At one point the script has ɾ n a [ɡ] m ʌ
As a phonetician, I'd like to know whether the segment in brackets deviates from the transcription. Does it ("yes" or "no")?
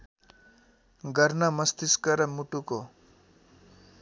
yes